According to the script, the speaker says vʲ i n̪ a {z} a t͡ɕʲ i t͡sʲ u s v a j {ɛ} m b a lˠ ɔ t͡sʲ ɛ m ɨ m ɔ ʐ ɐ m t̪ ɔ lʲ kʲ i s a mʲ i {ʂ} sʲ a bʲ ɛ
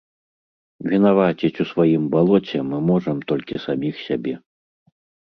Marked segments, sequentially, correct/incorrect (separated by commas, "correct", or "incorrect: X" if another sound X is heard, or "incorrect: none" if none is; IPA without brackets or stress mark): incorrect: v, incorrect: i, incorrect: x